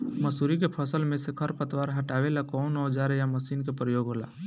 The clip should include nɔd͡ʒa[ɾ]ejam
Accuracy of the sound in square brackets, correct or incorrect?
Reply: correct